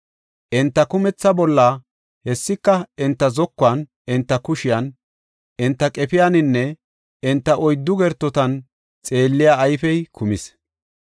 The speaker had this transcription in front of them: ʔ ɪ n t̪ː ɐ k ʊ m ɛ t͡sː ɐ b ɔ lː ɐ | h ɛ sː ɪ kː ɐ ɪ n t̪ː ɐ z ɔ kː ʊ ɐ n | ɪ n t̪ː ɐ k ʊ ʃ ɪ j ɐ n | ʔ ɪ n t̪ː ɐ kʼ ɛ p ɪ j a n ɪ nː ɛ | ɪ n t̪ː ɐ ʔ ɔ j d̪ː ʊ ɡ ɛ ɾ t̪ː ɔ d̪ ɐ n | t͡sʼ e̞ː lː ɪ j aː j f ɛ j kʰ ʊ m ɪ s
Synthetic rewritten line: ʔ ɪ n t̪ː ɐ k ʊ m ɛ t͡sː ɐ b ɔ lː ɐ | h ɛ sː ɪ kː ɐ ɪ n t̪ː ɐ z ɔ kː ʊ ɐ n | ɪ n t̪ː ɐ k ʊ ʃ ɪ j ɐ n | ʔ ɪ n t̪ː ɐ kʼ ɛ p ɪ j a n ɪ nː ɛ | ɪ n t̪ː ɐ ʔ ɔ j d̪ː ʊ ɡ ɛ ɾ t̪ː ɔ t̪ ɐ n | t͡sʼ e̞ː lː ɪ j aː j f ɛ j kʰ ʊ m ɪ s